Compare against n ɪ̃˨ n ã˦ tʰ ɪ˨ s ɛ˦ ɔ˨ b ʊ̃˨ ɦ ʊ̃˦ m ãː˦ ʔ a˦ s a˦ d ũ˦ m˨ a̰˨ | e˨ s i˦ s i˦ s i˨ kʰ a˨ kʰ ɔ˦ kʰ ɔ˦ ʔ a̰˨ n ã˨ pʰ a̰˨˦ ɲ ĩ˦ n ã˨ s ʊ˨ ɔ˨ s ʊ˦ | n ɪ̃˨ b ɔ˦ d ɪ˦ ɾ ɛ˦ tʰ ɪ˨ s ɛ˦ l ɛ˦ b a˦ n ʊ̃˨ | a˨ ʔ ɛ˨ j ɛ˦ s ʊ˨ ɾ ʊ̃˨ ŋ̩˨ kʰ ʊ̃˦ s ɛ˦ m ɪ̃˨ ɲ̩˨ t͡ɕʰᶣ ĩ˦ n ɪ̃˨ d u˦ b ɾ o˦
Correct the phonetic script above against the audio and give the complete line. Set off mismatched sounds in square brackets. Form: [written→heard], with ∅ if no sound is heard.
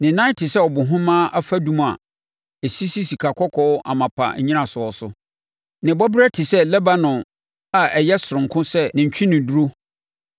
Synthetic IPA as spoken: n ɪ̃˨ n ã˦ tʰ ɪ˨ s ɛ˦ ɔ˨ b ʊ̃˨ ɦ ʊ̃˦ m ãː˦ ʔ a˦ [s→f] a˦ d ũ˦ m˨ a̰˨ | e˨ s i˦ s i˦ s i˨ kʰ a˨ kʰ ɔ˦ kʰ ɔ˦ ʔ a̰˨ [n→m] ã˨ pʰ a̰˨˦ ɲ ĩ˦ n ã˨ s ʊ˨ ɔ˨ s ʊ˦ | n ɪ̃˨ b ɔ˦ [d→b] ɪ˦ ɾ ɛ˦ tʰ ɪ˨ s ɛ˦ l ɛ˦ b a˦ n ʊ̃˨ | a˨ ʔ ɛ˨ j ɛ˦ s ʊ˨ ɾ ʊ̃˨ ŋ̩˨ kʰ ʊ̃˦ s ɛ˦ [m→n] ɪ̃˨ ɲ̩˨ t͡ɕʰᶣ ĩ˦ n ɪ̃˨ d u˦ [b→∅] ɾ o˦